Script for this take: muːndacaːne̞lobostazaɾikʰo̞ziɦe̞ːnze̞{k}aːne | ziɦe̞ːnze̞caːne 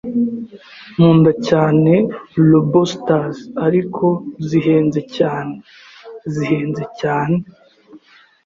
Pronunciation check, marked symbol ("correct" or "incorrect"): incorrect